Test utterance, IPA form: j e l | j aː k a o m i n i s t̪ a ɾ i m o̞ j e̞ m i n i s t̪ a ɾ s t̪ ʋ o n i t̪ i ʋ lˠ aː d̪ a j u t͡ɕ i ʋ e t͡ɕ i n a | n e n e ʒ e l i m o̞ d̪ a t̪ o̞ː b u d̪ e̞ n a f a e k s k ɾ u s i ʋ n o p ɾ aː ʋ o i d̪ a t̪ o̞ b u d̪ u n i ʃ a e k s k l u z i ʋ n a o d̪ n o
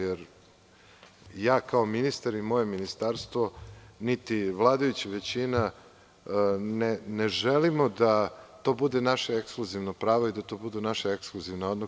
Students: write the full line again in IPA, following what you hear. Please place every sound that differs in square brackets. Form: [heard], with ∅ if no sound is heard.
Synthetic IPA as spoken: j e [ɾ] | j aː k a o m i n i s t̪ a ɾ i m o̞ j e̞ m i n i s t̪ a ɾ s t̪ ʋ o n i t̪ i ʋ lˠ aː d̪ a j u t͡ɕ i ʋ e t͡ɕ i n a | n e n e ʒ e l i m o̞ d̪ a t̪ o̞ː b u d̪ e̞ n a [ʃ] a e k s k [l] u [z] i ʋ n o p ɾ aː ʋ o i d̪ a t̪ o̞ b u d̪ u n [a] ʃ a e k s k l u z i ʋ n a o d̪ n o